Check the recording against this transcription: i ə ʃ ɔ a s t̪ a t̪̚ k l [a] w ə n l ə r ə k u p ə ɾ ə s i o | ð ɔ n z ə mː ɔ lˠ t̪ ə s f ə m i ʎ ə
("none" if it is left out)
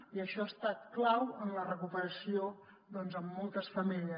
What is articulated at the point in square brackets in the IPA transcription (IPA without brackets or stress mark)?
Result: a